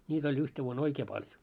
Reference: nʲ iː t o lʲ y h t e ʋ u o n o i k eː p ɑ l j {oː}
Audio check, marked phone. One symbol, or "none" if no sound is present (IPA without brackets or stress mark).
o